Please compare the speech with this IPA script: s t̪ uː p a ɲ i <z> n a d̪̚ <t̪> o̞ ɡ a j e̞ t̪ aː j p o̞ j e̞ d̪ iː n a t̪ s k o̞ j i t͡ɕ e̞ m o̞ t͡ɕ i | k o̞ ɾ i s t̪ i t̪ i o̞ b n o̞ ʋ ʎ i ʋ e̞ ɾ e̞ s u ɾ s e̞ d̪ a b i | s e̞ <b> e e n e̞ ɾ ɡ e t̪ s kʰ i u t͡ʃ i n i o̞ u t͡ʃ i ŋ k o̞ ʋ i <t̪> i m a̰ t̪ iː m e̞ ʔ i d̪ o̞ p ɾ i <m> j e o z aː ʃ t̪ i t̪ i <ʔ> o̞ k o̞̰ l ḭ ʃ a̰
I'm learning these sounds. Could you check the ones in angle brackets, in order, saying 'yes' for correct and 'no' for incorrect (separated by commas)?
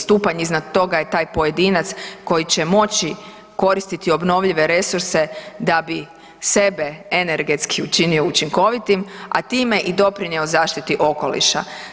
yes, yes, yes, yes, no, yes